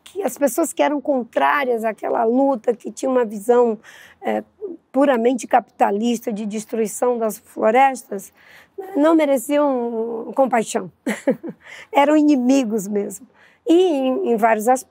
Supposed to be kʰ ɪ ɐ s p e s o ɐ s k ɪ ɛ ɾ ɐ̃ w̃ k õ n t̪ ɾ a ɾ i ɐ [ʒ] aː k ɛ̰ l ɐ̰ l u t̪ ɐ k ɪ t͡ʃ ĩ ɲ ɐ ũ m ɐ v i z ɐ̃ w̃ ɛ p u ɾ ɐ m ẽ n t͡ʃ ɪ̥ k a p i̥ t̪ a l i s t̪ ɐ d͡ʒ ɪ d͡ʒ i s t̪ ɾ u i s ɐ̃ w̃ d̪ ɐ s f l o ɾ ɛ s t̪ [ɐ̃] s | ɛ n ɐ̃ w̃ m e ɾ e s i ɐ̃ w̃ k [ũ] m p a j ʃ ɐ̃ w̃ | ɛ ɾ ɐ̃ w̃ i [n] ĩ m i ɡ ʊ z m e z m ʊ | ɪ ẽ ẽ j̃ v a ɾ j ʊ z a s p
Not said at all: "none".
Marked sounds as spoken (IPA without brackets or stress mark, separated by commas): z, ɐ, õ, n